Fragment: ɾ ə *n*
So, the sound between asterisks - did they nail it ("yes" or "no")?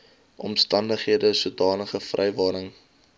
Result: no